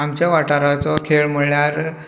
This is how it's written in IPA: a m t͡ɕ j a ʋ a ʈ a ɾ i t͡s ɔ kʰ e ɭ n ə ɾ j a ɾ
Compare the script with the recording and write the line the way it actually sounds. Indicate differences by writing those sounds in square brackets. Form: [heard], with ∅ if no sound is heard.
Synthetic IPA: a m t͡ɕ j a ʋ a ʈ a ɾ [a] t͡s ɔ kʰ e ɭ [m] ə [ɭ] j a ɾ